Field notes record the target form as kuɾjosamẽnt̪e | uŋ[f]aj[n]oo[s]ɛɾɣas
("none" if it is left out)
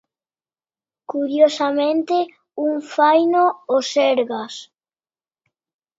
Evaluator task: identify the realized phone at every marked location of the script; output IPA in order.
f, n, s

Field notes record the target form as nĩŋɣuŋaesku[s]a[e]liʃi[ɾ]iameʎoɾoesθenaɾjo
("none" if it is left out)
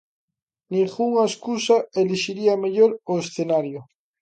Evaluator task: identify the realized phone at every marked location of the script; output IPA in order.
s, e, ɾ

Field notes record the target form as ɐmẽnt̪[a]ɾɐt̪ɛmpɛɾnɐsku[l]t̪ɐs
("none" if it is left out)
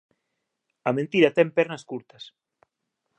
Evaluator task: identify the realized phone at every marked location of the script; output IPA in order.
i, ɾ

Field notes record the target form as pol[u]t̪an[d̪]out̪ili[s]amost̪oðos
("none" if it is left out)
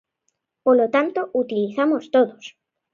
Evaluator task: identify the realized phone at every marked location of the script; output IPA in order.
o, t̪, θ

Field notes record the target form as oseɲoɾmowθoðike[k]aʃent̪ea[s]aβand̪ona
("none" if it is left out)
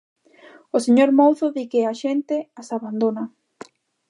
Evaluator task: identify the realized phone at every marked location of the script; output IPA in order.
none, s

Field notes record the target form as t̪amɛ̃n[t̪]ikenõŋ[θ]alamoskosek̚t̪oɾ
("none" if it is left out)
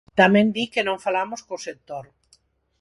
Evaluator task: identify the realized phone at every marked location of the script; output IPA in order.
d̪, f

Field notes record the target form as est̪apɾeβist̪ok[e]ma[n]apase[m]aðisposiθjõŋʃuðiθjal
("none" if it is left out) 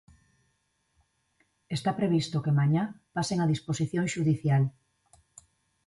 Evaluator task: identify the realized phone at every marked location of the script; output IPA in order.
e, ɲ, ŋ

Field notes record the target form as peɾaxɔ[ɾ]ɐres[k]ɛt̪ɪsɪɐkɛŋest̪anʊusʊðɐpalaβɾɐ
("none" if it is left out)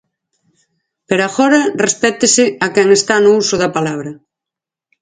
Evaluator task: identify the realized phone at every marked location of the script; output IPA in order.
ɾ, p

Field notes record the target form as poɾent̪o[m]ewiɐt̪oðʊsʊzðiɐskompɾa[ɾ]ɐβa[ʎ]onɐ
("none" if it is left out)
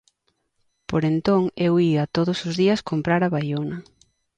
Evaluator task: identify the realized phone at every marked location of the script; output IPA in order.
ŋ, ɾ, j

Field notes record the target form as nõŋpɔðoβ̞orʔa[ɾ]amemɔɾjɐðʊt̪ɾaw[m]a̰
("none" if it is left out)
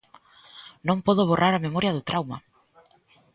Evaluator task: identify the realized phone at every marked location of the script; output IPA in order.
ɾ, m

